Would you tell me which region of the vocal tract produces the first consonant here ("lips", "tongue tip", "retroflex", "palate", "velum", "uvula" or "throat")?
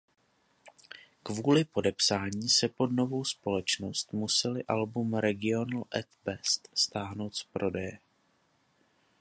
velum